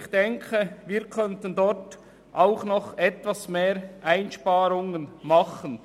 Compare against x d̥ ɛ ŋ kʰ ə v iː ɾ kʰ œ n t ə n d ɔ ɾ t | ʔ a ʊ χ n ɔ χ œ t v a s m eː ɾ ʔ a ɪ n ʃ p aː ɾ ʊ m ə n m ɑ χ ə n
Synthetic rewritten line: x d̥ ɛ ŋ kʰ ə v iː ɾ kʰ œ n t ə n d ɔ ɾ t | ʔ a ʊ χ n ɔ χ ɛ t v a s m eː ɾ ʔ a ɪ n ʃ p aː ɾ ʊ ŋ ə n m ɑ χ ə n